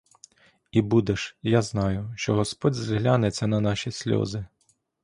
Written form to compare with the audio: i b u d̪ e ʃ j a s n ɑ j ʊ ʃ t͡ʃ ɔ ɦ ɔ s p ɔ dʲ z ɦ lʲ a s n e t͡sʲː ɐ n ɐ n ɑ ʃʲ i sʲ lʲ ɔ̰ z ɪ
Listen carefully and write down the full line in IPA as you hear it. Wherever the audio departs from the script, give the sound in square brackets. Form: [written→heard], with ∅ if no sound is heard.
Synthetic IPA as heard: i b u d̪ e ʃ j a [s→z] n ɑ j ʊ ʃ t͡ʃ ɔ ɦ ɔ s p ɔ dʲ z ɦ lʲ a [s→∅] n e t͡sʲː ɐ n ɐ n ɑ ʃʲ i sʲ lʲ ɔ̰ z ɪ